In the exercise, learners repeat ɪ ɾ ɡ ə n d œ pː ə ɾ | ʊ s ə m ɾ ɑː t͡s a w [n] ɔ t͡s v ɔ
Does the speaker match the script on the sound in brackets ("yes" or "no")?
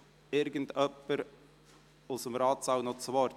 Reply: yes